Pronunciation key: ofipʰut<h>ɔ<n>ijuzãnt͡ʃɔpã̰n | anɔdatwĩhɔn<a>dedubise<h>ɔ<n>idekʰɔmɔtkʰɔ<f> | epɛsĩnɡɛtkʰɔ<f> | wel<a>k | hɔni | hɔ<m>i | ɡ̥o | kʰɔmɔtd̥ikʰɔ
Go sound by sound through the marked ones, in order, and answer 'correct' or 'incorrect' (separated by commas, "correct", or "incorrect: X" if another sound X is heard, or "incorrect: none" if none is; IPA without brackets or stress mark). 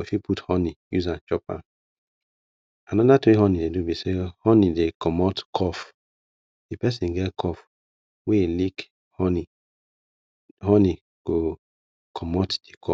correct, correct, incorrect: i, correct, correct, correct, correct, incorrect: i, incorrect: n